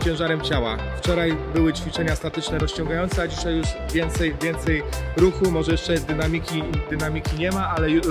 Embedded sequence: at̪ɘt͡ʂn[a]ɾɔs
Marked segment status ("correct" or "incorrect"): incorrect